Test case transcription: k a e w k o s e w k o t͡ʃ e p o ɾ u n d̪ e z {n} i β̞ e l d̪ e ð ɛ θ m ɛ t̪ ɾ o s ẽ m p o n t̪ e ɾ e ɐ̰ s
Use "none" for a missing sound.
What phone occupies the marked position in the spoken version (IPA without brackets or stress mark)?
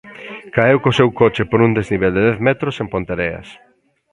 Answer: n